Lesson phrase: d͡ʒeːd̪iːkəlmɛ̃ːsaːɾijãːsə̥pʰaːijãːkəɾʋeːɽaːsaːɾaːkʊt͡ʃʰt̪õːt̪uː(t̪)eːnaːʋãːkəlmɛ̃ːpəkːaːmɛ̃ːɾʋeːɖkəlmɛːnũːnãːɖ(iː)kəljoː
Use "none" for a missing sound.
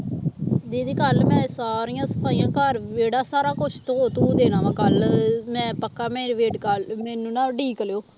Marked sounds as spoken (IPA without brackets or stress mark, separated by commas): d̪, iː